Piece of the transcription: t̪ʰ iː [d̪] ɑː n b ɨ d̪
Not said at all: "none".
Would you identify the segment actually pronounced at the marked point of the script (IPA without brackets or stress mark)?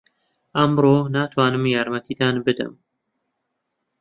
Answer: d̪